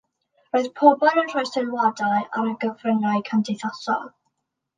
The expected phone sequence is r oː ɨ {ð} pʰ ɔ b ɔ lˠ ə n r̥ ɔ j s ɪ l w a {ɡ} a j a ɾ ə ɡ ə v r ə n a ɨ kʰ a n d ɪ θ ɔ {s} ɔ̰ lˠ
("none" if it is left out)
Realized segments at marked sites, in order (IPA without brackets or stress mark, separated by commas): ð, d, s